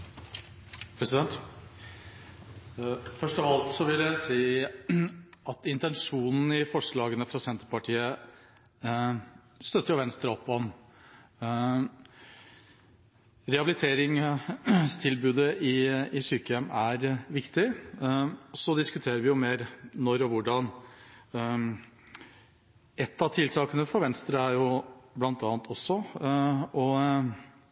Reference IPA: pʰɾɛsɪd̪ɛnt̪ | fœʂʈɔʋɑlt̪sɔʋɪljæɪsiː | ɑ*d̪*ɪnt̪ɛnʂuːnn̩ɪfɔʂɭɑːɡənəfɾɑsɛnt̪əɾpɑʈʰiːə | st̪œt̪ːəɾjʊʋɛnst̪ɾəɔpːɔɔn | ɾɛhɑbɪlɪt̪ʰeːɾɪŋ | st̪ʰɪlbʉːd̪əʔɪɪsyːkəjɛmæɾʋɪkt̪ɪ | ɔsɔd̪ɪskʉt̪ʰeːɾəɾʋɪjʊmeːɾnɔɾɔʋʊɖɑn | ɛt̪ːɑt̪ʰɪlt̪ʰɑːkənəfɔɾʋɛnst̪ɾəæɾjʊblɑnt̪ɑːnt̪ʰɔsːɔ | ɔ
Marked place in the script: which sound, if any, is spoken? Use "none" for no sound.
t̪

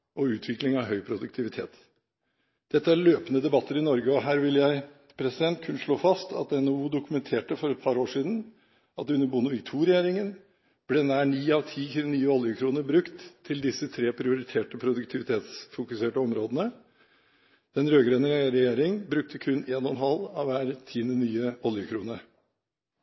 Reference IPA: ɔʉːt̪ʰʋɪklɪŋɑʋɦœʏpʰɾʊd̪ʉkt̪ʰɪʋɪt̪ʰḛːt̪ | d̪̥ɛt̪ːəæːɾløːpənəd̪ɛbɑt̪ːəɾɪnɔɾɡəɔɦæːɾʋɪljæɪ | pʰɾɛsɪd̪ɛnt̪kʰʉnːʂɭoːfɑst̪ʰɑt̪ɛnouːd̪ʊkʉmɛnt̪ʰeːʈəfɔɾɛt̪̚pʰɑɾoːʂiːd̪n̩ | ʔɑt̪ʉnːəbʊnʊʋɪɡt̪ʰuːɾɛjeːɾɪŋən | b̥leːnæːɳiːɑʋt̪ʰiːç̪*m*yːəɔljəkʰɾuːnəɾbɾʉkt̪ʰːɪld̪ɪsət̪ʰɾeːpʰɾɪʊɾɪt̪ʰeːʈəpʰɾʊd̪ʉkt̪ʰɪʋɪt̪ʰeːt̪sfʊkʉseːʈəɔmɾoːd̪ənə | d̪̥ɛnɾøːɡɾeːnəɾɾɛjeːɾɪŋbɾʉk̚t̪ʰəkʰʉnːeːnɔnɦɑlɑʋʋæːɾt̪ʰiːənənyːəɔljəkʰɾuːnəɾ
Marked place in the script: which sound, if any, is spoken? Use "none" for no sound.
n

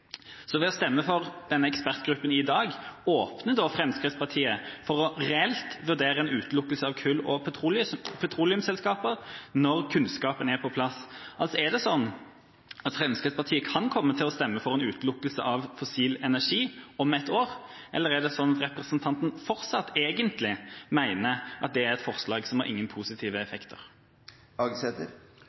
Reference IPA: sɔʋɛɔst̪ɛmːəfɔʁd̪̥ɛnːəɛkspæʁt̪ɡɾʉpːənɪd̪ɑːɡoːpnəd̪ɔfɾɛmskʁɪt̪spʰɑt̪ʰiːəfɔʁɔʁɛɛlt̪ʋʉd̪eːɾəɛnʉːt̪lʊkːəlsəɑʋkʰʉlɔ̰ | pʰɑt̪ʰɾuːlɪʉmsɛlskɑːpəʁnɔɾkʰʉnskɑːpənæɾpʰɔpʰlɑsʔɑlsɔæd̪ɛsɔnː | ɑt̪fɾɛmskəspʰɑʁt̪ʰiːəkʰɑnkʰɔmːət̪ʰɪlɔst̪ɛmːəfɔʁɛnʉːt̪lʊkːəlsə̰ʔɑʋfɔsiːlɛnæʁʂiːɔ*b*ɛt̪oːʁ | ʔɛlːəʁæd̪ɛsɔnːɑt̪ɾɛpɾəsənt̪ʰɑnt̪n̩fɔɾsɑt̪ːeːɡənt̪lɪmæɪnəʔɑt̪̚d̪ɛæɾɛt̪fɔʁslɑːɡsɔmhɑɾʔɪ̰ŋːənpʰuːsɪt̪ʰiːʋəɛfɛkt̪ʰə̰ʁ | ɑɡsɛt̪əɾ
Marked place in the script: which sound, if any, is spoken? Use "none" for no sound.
m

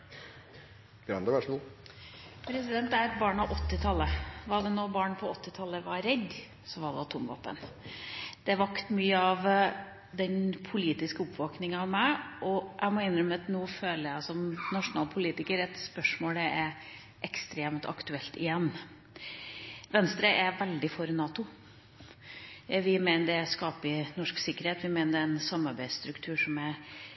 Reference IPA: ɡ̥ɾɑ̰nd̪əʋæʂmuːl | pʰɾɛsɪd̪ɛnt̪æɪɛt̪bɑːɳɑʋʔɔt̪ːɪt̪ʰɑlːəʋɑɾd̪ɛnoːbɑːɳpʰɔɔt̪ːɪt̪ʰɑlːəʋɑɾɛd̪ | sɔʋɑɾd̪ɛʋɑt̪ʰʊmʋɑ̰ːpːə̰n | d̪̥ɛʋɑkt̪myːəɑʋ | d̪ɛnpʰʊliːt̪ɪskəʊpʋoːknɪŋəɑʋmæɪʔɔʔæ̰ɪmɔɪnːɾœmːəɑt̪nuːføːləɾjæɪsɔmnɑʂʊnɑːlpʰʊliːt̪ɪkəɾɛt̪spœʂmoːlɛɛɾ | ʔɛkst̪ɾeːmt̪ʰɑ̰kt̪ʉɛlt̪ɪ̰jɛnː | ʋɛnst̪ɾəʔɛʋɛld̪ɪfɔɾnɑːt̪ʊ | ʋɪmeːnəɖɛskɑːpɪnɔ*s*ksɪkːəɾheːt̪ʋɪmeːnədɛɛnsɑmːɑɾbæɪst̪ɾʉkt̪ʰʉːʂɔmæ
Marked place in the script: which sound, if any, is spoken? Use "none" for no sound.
ʂ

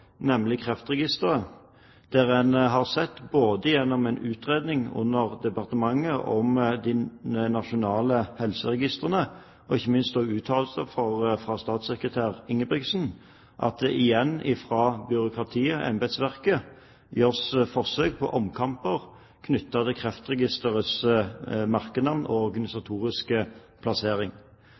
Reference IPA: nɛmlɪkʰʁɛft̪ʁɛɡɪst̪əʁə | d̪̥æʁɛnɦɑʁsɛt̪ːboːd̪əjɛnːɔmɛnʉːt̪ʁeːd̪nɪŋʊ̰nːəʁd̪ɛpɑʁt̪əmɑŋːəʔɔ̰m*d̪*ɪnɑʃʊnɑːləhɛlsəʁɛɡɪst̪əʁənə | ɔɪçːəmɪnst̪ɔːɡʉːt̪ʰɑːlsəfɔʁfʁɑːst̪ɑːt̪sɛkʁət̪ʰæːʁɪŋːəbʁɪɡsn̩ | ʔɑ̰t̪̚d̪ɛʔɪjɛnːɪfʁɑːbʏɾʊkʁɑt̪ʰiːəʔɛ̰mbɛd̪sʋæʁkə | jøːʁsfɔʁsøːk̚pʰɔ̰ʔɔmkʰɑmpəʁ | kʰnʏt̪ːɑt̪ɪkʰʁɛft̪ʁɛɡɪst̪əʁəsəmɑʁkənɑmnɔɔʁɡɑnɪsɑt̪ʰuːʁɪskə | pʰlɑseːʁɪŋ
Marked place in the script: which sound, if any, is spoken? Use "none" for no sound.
d̪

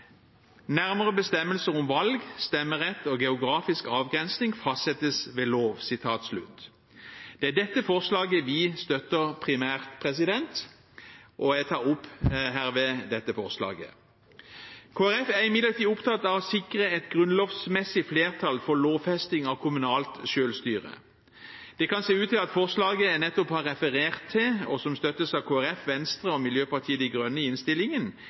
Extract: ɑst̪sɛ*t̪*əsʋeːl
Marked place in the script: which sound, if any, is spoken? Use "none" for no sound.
t̪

